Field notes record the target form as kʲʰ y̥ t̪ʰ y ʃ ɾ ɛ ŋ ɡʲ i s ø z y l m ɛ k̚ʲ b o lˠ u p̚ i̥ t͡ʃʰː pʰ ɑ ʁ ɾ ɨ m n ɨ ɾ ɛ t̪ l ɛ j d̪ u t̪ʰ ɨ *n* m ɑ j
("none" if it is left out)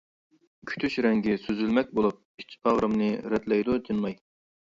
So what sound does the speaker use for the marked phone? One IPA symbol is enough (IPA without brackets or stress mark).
n